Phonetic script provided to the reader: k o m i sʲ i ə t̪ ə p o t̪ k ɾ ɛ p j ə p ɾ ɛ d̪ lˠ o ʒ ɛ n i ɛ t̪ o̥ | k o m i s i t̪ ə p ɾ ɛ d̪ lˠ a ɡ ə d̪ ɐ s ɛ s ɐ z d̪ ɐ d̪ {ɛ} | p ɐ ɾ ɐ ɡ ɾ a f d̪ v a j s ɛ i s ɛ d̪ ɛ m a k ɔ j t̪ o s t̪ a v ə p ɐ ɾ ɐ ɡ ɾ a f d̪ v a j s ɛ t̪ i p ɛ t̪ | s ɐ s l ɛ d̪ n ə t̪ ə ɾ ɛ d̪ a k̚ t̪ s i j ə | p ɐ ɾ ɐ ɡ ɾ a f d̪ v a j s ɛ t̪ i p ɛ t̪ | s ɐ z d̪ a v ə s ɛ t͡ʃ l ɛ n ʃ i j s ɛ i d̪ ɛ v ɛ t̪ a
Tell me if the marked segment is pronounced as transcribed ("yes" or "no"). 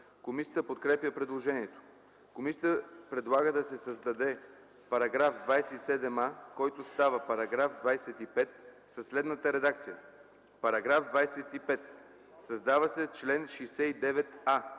yes